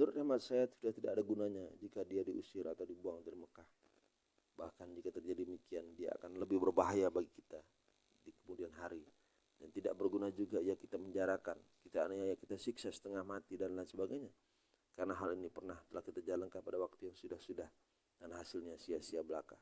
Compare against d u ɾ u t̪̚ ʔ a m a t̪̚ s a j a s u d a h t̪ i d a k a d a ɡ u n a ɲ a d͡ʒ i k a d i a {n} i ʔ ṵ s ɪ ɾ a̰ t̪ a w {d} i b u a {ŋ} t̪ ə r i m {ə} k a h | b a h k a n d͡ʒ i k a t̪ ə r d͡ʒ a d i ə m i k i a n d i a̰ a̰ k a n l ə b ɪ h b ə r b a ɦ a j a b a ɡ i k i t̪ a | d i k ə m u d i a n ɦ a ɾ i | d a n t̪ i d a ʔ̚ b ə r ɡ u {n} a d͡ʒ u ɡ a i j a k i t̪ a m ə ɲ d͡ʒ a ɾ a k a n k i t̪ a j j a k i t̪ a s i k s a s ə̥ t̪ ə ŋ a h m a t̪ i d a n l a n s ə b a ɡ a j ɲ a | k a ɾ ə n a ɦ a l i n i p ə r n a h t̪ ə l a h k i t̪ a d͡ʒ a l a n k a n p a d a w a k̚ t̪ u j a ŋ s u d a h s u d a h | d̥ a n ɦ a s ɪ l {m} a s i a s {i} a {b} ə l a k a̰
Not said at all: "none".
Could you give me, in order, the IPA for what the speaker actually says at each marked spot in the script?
d, d, ŋ, ə, n, ɲ, i, b

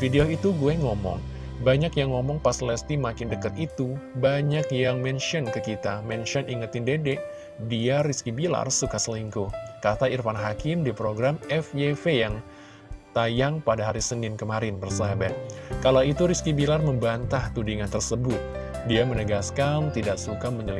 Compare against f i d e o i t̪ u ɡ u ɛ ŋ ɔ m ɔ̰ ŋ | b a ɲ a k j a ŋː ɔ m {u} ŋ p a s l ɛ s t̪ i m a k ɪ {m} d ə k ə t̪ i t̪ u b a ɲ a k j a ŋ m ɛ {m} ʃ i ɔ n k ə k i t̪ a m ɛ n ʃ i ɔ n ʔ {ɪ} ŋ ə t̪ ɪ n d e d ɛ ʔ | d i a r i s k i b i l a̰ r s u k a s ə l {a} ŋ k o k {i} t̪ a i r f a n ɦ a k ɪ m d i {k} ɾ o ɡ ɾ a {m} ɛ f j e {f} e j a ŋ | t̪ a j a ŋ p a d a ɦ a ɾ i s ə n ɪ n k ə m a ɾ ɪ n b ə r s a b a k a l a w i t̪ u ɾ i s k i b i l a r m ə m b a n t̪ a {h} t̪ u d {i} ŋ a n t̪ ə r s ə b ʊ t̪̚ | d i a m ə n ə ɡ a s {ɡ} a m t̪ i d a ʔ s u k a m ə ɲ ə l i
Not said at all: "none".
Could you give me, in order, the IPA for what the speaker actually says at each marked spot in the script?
ɔ, n, n, i, i, a, p, m, f, h, i, k

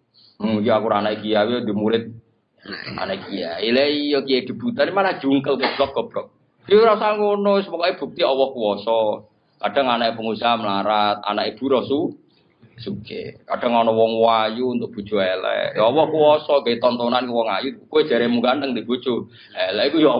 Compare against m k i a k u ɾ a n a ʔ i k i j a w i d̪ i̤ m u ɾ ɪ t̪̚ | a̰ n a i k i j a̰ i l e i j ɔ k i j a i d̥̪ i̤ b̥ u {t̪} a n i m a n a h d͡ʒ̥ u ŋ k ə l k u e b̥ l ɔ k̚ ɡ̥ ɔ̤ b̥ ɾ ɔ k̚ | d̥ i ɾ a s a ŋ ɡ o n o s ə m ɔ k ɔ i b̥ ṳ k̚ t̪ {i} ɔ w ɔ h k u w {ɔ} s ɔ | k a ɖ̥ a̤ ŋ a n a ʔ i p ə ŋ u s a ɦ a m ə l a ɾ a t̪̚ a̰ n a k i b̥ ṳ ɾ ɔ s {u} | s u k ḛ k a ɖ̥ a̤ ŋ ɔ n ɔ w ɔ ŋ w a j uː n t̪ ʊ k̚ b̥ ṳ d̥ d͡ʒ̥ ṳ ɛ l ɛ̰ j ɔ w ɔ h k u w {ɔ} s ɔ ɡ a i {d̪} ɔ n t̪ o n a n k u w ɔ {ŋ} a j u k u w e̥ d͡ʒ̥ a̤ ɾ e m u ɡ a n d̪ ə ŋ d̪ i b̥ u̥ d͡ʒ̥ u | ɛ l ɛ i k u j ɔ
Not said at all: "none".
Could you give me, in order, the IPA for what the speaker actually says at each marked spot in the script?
t̪, i, ɔ, u, ɔ, t̪, ŋ

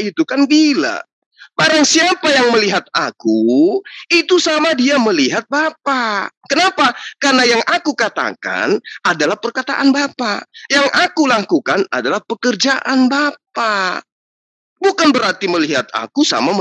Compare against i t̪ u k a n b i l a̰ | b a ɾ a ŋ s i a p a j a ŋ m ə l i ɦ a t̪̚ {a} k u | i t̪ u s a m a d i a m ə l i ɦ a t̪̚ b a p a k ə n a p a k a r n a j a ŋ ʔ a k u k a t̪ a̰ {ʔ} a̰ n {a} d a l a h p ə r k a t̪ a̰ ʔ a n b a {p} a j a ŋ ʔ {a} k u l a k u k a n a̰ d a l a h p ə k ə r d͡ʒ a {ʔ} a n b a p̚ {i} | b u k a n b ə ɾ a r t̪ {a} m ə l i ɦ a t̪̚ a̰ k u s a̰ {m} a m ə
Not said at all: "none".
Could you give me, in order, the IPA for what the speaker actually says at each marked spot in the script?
a, k, a, p, a, ʔ, a, i, m

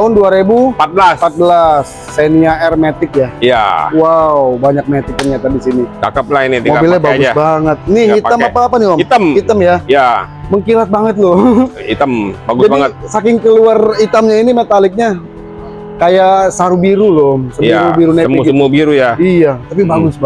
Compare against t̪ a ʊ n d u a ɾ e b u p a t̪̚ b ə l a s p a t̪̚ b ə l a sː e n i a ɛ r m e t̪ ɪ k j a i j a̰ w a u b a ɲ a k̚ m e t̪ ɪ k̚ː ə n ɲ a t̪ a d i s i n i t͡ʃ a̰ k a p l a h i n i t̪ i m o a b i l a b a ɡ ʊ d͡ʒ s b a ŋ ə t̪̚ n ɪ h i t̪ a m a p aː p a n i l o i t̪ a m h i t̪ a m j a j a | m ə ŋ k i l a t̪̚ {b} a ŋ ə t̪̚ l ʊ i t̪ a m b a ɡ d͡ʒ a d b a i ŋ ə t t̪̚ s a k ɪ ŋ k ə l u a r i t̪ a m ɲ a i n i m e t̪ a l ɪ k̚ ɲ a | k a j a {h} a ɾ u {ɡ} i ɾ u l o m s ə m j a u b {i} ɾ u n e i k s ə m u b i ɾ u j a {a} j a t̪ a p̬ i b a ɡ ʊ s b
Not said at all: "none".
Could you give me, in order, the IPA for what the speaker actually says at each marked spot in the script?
b, s, b, i, i

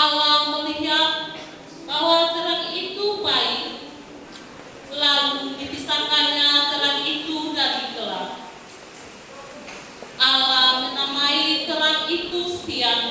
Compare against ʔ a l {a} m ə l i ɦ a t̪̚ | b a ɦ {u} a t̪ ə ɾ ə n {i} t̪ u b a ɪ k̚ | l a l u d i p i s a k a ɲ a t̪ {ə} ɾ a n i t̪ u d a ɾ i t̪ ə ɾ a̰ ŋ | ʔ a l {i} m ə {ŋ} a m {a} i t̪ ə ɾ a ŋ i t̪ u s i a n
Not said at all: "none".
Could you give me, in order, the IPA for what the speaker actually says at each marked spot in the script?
a, w, i, ə, a, n, a

